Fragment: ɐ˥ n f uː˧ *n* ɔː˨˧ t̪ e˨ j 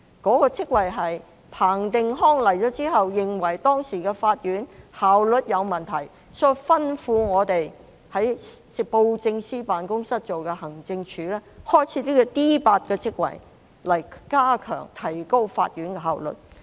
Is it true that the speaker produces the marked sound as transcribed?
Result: no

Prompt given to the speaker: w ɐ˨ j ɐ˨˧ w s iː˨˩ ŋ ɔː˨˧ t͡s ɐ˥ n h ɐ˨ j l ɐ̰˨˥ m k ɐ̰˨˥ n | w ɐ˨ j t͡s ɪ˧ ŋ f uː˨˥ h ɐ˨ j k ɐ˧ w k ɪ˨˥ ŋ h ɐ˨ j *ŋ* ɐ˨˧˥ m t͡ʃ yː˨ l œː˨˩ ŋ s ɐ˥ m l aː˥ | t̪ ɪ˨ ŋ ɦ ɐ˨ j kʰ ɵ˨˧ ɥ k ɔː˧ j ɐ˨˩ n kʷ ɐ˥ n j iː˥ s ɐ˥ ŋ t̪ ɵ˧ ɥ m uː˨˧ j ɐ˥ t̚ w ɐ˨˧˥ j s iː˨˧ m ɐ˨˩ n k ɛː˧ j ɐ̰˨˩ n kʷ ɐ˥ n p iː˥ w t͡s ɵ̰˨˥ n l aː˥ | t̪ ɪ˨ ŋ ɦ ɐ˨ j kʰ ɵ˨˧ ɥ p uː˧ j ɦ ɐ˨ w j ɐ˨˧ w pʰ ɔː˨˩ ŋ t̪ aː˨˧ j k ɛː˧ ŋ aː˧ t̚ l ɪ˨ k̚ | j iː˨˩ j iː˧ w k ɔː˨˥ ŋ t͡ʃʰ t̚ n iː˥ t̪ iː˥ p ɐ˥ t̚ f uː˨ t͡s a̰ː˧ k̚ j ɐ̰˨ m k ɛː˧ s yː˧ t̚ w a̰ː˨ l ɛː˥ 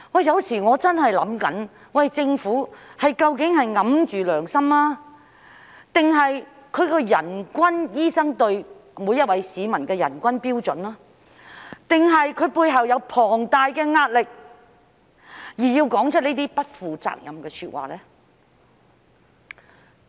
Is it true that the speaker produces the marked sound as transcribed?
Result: yes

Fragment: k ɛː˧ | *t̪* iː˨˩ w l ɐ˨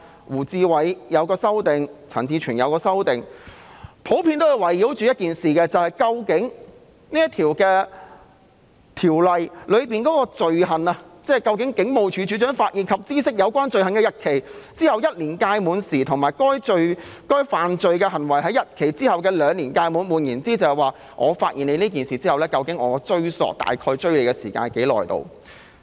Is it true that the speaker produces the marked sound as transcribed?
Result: no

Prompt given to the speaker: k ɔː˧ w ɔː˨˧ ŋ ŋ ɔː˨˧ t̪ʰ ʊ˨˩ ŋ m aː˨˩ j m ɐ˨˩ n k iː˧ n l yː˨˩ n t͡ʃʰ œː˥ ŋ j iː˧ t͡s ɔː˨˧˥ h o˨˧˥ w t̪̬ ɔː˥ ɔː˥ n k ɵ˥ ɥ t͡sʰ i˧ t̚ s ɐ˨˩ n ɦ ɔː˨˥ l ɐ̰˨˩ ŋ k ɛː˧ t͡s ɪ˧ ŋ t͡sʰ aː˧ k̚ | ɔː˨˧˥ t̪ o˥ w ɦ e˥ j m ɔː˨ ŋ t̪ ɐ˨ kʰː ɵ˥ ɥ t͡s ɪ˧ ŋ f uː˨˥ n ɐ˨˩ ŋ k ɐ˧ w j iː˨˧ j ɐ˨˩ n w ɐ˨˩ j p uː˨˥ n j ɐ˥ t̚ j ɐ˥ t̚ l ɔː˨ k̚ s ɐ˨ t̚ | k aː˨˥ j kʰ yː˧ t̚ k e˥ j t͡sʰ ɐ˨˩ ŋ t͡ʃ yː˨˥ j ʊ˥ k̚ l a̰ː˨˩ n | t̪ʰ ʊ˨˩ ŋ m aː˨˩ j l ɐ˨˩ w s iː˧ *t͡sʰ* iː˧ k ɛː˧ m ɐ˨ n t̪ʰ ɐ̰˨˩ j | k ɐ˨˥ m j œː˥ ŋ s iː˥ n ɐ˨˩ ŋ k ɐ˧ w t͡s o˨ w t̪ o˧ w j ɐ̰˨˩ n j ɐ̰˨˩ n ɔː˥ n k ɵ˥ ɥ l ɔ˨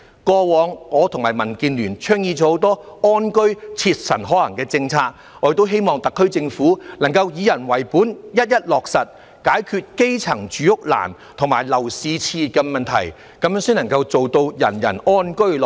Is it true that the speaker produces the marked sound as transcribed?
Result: yes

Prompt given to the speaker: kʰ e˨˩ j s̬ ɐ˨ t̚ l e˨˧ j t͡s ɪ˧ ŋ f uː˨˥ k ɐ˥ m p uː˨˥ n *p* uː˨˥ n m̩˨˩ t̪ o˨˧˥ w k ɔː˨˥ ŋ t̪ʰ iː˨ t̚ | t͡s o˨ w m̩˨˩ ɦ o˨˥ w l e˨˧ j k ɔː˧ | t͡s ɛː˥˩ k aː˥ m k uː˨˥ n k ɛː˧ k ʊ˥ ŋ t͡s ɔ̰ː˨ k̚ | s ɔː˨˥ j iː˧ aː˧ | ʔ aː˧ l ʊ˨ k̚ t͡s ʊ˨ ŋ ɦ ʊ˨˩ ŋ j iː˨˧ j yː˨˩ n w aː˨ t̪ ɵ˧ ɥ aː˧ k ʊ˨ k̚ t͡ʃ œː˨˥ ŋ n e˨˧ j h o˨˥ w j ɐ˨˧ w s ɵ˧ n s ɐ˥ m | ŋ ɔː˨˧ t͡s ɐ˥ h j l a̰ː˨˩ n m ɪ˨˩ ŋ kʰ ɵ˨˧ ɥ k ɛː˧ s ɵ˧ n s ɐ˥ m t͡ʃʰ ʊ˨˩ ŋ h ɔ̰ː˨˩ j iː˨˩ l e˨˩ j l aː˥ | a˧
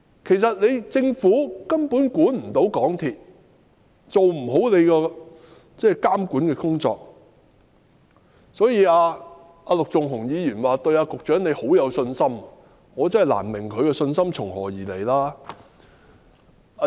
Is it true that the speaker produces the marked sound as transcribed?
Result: no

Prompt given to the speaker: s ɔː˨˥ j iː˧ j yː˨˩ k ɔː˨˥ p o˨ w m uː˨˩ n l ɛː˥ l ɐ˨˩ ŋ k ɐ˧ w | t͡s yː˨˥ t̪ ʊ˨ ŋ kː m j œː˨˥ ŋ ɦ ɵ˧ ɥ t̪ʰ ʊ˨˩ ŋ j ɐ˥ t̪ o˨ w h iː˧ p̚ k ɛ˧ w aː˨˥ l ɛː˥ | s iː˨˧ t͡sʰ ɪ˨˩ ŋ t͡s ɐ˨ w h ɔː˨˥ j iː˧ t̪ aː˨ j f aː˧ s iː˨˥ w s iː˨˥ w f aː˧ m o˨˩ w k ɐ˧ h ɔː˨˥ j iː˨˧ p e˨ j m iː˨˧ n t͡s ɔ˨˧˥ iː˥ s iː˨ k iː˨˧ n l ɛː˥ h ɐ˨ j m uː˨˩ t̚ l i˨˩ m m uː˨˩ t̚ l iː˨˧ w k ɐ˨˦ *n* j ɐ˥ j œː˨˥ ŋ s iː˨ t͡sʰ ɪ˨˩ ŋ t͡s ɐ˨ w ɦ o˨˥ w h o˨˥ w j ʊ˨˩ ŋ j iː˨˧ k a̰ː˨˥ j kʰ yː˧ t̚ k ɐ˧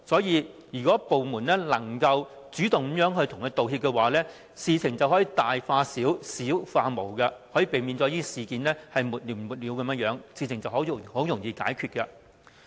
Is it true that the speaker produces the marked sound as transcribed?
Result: no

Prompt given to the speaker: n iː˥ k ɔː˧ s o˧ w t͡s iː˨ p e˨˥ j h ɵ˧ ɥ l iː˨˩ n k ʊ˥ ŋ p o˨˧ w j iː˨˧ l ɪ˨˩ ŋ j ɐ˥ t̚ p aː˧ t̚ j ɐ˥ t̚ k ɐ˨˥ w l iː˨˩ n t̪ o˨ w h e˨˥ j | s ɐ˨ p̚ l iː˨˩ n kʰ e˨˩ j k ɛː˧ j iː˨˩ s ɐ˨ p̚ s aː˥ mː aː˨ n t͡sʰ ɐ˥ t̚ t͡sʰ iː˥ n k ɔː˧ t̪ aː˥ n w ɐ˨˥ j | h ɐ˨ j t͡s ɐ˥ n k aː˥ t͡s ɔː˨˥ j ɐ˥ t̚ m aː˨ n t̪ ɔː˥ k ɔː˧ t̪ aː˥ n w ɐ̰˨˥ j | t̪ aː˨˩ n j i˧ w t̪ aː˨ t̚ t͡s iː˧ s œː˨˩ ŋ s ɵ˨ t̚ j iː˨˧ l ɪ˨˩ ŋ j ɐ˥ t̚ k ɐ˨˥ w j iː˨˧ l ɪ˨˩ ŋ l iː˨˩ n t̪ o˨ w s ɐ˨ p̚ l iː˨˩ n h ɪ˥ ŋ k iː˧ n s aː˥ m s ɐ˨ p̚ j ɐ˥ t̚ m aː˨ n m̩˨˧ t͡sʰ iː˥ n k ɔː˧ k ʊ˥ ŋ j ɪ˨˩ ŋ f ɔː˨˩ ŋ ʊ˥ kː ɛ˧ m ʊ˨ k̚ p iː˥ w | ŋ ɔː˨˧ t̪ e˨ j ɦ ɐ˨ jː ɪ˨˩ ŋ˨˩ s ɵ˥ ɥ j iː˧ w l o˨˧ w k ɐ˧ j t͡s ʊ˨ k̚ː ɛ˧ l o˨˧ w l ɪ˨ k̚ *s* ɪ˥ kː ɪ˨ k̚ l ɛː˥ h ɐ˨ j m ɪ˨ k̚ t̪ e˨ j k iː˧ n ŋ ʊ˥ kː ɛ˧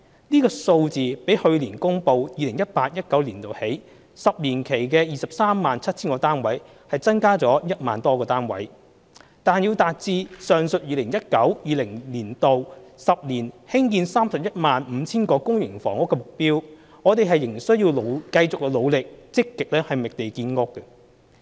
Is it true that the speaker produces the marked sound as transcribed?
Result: no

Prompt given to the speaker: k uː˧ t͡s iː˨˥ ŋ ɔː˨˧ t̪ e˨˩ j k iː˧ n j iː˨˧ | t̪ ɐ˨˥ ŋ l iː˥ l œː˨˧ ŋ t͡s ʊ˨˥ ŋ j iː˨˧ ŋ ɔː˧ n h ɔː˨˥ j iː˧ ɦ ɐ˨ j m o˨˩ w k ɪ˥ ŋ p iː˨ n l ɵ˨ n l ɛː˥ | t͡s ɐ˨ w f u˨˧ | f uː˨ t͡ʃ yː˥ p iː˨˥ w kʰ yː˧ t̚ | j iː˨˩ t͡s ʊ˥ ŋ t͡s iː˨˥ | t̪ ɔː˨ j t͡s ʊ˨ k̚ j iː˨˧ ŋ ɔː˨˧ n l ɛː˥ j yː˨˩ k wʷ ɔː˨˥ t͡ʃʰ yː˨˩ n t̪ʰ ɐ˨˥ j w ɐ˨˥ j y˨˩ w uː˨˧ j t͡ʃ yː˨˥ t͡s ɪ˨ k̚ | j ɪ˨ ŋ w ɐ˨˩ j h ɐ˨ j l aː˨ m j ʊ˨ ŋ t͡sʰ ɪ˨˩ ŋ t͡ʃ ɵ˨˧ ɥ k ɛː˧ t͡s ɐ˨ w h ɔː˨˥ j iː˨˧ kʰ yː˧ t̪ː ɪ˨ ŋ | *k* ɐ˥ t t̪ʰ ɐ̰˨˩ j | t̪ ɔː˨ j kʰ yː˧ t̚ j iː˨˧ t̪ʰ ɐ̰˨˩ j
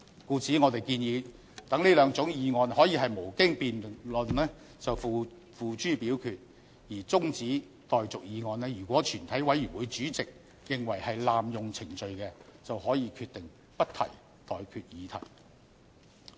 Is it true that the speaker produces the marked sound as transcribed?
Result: no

